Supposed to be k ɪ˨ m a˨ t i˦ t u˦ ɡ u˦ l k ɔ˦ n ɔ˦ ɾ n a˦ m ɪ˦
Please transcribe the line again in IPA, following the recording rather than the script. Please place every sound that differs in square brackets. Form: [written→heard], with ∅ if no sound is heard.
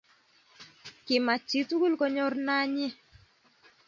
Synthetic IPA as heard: k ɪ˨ m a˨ [t→t͡ʃ] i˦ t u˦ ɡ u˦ l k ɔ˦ [n→ɲ] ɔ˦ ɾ n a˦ [m→ɲ] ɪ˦